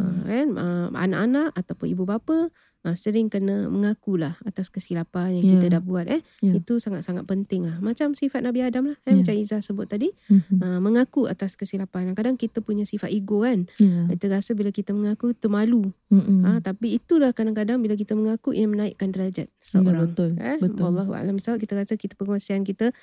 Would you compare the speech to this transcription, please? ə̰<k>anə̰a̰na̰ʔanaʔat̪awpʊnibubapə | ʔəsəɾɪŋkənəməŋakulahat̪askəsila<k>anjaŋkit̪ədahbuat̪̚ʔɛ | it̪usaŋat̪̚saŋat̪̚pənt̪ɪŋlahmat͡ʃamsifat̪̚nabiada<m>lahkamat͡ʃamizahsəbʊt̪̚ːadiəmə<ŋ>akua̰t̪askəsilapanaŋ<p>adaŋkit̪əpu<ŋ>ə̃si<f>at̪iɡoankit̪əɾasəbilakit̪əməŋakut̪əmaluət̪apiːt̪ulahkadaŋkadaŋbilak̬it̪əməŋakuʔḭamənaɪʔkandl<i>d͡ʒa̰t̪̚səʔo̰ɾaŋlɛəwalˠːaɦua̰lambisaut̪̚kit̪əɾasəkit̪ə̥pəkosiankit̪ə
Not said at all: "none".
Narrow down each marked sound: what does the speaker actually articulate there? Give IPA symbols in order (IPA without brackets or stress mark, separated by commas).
k, p, m, ŋ, k, ɲ, f, a